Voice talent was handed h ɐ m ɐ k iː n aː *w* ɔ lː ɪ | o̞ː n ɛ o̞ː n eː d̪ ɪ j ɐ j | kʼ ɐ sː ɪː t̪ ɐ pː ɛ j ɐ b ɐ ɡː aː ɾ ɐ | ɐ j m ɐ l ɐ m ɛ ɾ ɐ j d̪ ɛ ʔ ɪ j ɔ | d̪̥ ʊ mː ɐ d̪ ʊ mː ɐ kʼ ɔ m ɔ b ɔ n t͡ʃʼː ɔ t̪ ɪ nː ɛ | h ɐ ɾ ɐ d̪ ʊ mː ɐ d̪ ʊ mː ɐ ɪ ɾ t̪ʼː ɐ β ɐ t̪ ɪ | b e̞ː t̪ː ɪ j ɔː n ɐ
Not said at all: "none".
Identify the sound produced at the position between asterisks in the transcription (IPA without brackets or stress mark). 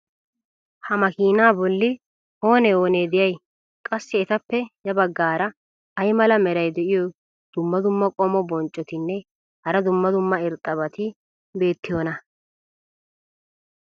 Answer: b